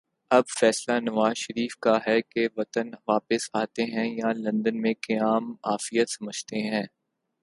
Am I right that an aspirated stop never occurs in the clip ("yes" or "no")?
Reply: yes